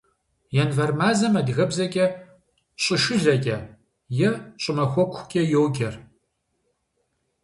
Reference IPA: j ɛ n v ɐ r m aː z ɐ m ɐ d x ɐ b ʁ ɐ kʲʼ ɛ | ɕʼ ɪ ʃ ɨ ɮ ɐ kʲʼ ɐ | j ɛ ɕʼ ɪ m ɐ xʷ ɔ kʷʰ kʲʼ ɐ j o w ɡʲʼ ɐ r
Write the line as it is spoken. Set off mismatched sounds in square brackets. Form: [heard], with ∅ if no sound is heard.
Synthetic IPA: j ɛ n v ɐ r m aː z ɐ m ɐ d [ɣ] ɐ b [z] ɐ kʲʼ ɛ | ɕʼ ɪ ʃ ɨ ɮ ɐ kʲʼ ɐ | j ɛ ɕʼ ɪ m ɐ xʷ ɔ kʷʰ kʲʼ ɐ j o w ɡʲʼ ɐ r